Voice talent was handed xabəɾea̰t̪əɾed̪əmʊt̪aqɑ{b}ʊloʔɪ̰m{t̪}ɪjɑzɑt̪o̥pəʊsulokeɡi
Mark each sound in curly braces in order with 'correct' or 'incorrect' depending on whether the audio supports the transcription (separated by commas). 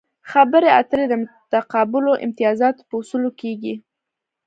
correct, correct